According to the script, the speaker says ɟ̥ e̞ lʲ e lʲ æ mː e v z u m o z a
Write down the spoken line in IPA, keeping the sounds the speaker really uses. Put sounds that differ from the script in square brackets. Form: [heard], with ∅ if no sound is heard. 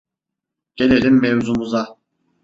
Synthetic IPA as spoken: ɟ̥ e̞ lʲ e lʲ [i] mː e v z u m [u] z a